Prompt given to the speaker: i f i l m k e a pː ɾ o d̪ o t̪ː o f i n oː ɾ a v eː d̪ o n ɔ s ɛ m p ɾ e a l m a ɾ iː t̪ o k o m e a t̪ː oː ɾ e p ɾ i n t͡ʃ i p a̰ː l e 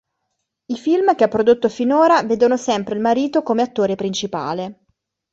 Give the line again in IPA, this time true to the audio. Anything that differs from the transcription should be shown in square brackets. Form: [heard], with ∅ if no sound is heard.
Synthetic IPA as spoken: i f i l m k e a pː ɾ o d̪ o t̪ː o f i n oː ɾ a v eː d̪ o n [o] s ɛ m p ɾ e [i] l m a ɾ iː t̪ o k o m e a t̪ː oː ɾ e p ɾ i n t͡ʃ i p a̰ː l e